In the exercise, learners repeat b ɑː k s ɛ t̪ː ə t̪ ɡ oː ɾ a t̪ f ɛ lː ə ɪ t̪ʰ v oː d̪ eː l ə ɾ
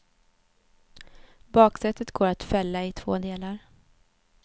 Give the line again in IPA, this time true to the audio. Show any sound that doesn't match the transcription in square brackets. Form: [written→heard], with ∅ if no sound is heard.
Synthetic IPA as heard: b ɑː k s ɛ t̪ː ə t̪ ɡ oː ɾ a t̪ f ɛ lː [ə→a] ɪ t̪ʰ v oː d̪ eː l [ə→a] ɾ